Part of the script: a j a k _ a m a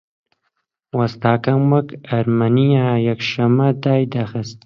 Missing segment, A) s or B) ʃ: B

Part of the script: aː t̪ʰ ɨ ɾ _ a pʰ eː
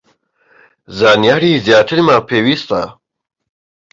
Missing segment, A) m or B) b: A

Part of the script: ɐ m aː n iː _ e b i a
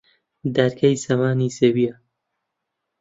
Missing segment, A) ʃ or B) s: B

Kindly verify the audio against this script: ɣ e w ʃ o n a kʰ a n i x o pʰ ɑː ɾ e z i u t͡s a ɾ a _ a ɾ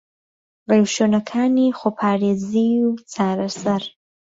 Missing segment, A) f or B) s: B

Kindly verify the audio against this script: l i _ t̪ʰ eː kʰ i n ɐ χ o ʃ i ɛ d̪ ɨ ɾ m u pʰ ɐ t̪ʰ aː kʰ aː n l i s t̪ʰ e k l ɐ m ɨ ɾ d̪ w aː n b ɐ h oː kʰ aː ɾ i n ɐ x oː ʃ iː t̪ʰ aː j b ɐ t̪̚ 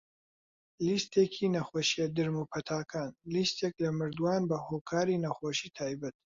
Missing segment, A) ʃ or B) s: B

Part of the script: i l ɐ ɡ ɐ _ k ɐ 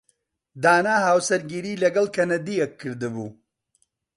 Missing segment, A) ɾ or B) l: B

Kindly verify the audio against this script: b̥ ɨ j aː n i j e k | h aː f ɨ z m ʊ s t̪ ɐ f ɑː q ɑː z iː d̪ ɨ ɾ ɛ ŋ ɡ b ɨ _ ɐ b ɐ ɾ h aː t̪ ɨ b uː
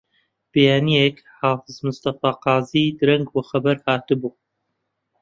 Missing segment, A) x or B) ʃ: A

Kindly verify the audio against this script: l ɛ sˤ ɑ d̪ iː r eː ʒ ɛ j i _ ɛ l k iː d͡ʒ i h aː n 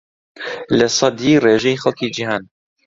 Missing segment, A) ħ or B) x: B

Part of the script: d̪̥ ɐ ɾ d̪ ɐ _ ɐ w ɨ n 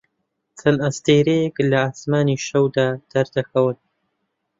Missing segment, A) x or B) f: A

